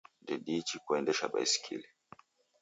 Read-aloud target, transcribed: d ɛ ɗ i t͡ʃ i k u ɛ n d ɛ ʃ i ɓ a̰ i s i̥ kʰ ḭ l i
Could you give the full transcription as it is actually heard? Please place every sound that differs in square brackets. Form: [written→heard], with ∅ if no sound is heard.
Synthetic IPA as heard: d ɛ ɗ i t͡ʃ i k u ɛ n d ɛ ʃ [i→a] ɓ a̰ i s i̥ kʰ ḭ l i